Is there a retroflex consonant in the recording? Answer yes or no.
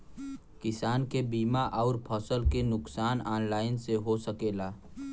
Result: no